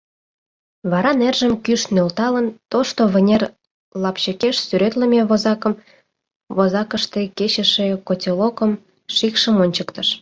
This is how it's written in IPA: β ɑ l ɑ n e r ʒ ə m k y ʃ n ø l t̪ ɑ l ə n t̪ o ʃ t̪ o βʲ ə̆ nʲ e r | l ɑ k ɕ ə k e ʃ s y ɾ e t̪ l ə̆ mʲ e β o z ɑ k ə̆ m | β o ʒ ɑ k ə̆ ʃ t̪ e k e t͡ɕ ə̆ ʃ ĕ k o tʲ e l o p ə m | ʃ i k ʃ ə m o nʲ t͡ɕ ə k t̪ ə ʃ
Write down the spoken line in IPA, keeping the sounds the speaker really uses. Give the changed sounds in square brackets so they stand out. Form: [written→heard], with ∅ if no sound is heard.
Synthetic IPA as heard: β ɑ [l→ɾ] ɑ n e r ʒ ə m k y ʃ n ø l t̪ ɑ l ə n t̪ o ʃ t̪ o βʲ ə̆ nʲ e r | l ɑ [k→p] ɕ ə k e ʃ s y ɾ e t̪ l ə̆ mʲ e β o z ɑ k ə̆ m | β o [ʒ→z] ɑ k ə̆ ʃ t̪ e k e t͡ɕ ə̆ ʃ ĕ k o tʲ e l o [p→k] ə m | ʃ i k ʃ ə m o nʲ t͡ɕ ə k t̪ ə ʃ